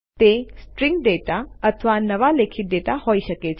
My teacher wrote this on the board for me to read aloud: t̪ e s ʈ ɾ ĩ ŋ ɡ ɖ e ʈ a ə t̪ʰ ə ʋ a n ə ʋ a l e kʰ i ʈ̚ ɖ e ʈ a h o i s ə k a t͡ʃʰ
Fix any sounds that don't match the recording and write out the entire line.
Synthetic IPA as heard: t̪ e s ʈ ɾ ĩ ŋ ɡ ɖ e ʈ a ə t̪ʰ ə ʋ a n ə ʋ a l e kʰ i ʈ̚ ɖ e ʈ a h o i ʃ ə k e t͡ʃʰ